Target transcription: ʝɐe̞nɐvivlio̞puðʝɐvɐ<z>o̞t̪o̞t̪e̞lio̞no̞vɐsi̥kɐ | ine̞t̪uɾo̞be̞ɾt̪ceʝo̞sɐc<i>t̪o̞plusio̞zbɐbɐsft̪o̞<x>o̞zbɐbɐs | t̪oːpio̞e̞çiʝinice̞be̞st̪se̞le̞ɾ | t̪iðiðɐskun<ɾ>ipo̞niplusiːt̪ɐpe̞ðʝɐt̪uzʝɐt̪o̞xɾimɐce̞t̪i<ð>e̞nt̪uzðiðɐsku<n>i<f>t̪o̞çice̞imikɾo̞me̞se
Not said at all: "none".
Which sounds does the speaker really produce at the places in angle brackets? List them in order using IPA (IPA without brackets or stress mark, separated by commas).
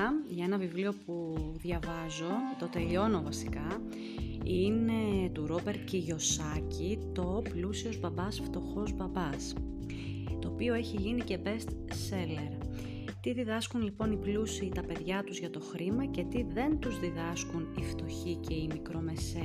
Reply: z, i, x, l, ð, n, f